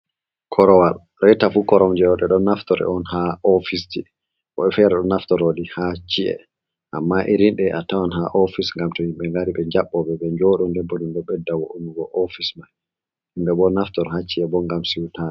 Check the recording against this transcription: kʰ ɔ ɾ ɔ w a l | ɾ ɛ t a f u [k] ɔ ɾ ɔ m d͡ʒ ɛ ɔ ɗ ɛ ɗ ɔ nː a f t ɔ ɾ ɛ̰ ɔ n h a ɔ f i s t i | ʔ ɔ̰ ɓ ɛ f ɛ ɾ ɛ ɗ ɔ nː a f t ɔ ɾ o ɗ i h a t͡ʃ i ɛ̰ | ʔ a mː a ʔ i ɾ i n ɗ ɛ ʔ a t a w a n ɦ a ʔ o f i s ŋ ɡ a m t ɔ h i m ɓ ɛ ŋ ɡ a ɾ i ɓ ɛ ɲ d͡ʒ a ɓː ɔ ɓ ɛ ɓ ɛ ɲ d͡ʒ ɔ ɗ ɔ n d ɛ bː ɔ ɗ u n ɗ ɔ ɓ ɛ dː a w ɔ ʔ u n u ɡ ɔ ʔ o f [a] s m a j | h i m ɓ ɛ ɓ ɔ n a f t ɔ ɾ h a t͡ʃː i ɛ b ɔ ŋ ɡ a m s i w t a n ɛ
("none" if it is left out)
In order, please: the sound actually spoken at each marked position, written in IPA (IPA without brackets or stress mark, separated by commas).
k, i